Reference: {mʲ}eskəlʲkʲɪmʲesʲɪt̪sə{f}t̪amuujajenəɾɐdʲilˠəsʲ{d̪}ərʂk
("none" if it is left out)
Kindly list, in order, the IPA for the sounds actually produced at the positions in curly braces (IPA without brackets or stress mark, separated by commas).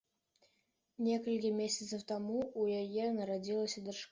nʲ, f, d̪